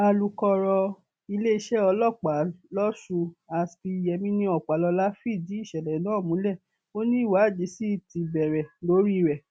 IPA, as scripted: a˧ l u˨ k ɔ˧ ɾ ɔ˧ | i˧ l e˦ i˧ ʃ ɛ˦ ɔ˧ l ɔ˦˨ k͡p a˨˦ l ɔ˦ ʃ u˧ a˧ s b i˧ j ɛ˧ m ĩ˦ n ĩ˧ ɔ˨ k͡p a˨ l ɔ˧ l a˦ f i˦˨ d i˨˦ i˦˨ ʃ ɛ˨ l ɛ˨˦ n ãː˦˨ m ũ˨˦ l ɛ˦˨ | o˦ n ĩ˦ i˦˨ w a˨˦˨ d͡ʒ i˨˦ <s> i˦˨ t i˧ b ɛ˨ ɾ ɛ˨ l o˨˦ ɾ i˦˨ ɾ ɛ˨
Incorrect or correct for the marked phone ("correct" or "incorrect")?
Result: correct